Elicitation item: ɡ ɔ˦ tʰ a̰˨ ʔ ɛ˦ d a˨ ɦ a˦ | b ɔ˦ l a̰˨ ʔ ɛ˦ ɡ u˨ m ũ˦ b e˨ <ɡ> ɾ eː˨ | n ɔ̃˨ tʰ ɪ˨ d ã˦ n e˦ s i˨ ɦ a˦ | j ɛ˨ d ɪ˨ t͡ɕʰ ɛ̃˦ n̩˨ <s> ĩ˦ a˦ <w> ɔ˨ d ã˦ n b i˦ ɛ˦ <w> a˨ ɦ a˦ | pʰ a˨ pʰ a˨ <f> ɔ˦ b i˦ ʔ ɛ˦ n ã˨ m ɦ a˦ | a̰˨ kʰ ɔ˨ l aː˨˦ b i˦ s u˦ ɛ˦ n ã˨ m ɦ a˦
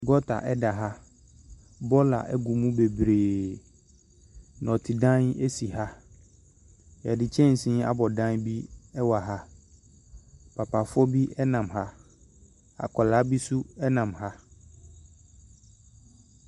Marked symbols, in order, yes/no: no, yes, no, yes, yes

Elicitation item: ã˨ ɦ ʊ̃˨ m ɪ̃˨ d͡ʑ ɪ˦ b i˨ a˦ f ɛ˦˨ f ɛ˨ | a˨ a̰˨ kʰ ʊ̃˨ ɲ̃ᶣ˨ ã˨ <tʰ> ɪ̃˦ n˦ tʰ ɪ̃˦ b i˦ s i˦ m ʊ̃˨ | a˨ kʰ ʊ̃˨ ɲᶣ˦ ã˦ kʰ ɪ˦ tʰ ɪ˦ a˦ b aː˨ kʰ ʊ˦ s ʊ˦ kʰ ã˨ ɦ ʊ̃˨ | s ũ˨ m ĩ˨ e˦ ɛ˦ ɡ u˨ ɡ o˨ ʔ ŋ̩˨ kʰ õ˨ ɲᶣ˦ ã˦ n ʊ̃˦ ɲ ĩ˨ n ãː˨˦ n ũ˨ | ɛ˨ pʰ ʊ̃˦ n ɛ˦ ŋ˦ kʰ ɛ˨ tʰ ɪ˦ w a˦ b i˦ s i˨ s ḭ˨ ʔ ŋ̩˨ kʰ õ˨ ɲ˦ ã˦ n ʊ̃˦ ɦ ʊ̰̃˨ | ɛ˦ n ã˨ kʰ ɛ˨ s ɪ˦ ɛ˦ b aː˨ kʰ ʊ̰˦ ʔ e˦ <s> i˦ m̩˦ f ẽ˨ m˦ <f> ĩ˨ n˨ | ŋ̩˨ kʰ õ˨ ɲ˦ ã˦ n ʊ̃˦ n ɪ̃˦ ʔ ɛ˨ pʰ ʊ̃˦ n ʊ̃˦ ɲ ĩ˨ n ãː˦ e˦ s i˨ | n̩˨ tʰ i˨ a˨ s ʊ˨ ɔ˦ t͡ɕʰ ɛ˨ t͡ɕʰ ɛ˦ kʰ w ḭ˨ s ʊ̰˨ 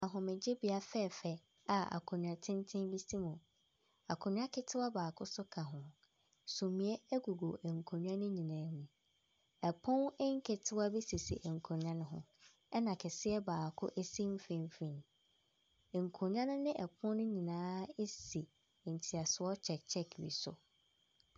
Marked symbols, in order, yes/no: yes, yes, yes

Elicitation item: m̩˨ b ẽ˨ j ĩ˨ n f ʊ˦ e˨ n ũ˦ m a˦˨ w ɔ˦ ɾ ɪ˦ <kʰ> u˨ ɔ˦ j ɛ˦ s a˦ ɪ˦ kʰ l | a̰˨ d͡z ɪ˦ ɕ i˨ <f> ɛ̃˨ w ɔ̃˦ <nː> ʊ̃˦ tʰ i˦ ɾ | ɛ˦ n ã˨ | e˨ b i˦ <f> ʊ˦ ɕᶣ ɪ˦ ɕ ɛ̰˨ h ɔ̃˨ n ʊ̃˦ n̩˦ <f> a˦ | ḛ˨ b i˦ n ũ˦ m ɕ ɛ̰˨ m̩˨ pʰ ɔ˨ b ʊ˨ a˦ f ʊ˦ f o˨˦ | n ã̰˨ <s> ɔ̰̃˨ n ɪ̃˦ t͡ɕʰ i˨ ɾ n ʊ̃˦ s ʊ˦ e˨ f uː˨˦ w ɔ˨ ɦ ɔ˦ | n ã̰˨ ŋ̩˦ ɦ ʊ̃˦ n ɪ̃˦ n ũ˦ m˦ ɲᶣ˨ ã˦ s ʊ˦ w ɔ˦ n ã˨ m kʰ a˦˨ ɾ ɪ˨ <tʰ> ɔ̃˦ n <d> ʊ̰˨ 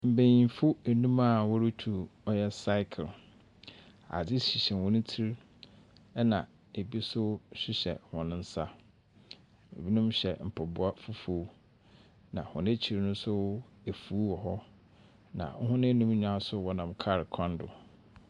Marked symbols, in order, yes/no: no, no, no, no, no, no, no, yes

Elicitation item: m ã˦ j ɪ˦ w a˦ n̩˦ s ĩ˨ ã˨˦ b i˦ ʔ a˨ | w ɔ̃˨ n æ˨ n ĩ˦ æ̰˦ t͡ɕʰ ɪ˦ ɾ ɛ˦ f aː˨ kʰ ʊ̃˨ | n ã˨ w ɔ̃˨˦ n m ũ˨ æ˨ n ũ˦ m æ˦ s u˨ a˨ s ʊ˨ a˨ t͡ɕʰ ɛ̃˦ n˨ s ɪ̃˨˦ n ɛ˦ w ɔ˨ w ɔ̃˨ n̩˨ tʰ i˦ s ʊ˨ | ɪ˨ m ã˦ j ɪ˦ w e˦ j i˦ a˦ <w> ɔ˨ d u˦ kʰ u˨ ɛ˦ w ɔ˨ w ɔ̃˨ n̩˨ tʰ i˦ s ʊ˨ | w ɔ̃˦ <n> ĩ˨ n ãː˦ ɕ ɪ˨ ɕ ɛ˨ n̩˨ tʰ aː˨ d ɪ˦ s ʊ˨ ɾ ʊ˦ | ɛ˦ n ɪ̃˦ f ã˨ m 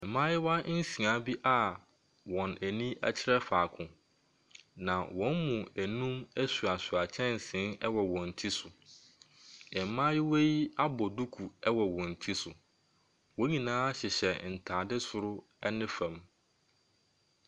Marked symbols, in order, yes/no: no, no

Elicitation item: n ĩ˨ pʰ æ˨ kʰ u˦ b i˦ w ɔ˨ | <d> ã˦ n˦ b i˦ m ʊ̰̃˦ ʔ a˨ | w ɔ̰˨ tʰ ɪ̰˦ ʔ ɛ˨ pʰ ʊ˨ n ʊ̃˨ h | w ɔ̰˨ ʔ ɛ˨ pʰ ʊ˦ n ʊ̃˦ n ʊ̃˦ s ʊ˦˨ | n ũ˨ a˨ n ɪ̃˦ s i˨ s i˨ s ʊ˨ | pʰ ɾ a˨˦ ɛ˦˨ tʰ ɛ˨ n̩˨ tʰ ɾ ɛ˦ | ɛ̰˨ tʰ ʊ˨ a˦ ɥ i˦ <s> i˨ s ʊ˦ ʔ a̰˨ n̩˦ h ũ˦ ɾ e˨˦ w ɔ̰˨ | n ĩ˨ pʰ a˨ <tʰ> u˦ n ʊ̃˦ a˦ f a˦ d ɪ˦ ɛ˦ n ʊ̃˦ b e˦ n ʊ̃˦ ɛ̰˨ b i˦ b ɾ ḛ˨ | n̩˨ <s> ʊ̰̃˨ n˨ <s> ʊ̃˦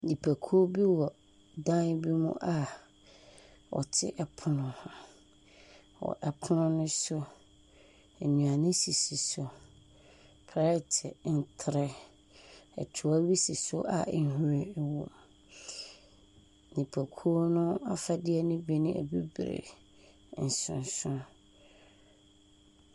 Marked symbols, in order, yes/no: yes, yes, no, yes, yes

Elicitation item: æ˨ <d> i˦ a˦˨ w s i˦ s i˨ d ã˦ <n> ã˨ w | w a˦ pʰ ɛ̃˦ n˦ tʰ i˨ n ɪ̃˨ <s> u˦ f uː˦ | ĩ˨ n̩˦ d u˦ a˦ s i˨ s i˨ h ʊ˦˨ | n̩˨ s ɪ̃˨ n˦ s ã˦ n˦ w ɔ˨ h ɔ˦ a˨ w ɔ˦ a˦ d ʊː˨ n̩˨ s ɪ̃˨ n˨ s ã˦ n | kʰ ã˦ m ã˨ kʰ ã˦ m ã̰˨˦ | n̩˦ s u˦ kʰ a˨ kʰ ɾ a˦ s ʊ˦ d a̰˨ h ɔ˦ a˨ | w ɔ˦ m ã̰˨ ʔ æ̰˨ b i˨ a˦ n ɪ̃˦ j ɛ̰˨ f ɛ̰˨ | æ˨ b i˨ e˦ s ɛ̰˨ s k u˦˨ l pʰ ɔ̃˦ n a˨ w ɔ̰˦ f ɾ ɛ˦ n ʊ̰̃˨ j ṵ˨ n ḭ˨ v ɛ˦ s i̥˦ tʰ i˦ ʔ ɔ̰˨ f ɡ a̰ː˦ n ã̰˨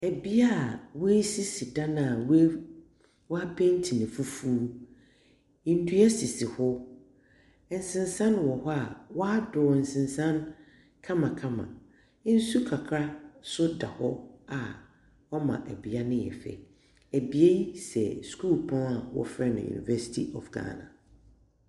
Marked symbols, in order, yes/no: no, yes, no

